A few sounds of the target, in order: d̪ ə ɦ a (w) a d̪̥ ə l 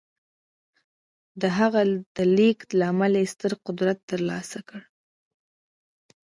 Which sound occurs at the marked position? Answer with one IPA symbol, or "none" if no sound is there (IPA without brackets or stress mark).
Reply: ɣ